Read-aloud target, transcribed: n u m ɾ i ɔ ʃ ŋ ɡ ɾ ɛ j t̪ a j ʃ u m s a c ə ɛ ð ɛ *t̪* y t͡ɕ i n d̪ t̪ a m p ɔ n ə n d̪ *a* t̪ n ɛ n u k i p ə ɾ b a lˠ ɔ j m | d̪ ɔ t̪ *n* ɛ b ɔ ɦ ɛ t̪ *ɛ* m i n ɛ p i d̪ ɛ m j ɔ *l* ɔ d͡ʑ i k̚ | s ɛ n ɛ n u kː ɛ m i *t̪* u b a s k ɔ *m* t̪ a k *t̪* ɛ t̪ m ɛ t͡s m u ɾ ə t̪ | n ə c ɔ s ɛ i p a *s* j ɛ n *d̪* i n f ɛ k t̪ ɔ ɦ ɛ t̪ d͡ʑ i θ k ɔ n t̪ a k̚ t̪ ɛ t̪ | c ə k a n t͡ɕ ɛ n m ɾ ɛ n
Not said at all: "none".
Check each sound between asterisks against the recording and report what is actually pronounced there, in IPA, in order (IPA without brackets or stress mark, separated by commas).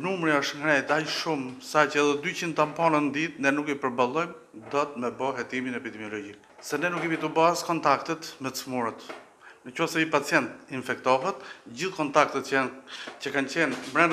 d̪, i, m, i, l, t̪, n, t̪, t͡s, t̪